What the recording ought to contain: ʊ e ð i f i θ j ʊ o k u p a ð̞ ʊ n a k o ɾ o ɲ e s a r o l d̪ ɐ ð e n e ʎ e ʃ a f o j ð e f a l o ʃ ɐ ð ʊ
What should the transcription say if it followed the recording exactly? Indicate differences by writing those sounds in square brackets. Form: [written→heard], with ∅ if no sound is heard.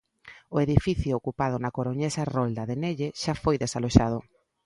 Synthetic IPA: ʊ e ð i f i θ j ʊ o k u p a ð̞ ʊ n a k o ɾ o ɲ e s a r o l d̪ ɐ ð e n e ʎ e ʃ a f o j ð e [f→s] a l o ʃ [ɐ→a] ð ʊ